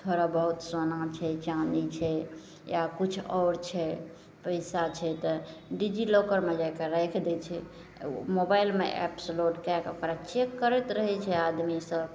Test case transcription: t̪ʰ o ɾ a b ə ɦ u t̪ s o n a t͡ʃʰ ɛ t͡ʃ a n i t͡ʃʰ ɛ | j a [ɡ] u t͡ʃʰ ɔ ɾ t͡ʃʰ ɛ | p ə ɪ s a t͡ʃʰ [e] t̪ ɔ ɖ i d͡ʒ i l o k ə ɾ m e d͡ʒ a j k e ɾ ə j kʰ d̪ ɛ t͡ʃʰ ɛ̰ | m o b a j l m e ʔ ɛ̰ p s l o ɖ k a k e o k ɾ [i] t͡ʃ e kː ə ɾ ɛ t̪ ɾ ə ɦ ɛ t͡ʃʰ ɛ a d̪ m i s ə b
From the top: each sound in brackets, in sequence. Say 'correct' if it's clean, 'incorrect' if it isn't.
incorrect: k, incorrect: ɛ, incorrect: a

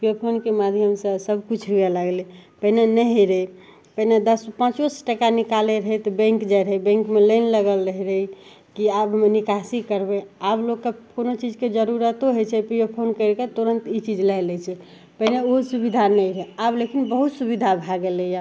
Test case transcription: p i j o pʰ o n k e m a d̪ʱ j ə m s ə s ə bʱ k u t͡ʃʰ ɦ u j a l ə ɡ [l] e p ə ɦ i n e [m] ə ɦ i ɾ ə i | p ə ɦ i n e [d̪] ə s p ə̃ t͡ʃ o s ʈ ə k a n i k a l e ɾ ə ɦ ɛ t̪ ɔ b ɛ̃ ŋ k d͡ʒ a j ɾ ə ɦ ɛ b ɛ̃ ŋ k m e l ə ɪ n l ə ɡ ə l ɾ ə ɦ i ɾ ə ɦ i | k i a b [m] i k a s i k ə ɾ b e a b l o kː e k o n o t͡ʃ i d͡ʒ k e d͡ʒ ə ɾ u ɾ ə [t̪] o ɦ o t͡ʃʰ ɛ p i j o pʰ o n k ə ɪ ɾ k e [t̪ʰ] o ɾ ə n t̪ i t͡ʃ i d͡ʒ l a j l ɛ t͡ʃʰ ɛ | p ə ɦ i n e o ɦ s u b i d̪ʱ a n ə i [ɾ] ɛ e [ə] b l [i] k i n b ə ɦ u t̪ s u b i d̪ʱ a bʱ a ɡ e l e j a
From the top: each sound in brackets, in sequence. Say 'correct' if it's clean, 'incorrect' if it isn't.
correct, incorrect: n, correct, incorrect: n, correct, incorrect: t̪, correct, incorrect: a, incorrect: e

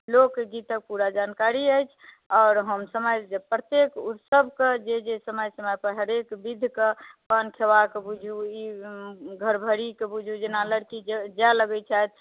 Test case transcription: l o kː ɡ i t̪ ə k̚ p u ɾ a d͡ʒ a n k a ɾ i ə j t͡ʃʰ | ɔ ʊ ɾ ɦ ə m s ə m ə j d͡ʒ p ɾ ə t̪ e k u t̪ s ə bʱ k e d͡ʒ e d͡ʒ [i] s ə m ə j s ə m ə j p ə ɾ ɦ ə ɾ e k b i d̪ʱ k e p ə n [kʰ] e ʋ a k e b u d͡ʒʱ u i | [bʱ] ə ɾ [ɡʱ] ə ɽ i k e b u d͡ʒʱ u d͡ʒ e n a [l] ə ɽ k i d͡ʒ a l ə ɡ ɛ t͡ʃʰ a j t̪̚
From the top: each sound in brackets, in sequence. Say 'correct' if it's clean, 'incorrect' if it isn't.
incorrect: e, correct, incorrect: ɡʱ, incorrect: bʱ, correct

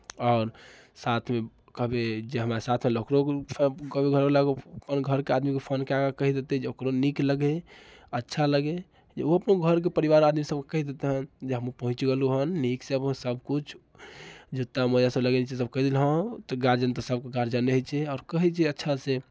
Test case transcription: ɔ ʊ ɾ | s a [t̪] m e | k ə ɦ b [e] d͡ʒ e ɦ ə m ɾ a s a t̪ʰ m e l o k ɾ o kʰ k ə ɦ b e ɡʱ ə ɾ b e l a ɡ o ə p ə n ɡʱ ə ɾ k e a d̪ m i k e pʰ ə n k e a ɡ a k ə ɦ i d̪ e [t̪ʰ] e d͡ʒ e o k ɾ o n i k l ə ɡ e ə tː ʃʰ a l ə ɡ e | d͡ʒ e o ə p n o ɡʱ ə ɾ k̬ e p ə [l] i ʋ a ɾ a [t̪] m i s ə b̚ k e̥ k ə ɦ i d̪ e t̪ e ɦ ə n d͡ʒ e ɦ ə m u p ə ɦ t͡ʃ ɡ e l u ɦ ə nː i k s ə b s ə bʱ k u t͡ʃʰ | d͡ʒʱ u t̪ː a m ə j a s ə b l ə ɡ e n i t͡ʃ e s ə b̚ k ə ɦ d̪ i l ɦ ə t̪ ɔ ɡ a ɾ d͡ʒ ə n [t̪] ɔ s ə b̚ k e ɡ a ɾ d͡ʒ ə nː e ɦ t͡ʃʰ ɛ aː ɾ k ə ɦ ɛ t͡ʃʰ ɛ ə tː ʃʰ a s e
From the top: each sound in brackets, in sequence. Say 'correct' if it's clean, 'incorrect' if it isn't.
incorrect: t̪ʰ, correct, incorrect: t̪, incorrect: ɾ, incorrect: d̪, correct

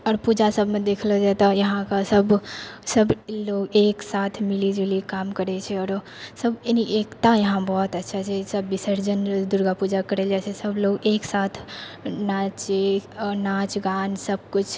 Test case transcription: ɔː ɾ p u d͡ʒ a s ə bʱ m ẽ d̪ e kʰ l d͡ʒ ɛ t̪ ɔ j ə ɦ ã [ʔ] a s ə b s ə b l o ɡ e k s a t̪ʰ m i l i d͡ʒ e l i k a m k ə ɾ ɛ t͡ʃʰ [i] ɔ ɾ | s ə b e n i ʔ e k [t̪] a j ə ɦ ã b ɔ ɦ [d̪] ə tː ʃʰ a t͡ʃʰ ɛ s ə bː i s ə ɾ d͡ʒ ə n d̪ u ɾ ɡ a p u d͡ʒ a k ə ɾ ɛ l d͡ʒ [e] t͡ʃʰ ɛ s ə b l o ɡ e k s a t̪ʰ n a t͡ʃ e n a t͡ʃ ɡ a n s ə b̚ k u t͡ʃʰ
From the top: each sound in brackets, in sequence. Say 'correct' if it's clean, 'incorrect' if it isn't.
incorrect: k, incorrect: ɛ, correct, incorrect: t̪, incorrect: a

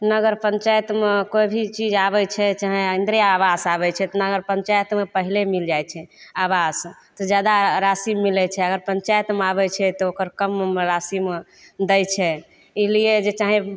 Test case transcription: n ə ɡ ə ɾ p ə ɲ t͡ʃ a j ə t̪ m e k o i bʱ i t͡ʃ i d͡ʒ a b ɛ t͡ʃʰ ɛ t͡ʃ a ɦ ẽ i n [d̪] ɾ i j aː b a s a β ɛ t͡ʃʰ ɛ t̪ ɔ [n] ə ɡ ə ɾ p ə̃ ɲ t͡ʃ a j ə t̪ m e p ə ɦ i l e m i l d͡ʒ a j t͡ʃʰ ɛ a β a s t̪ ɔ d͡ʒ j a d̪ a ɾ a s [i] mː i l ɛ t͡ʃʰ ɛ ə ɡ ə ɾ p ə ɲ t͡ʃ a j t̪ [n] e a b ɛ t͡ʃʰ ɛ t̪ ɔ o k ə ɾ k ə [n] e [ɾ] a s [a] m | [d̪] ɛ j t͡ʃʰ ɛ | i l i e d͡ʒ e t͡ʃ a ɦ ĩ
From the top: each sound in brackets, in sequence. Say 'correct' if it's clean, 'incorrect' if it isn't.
correct, correct, correct, incorrect: m, incorrect: m, correct, incorrect: i, correct

